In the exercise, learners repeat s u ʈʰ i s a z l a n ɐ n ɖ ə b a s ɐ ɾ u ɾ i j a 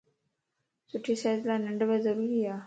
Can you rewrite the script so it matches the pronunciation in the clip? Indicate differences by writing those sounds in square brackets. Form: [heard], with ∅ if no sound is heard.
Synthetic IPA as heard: s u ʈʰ i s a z l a n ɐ [ɳ] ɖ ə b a [z] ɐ ɾ u ɾ i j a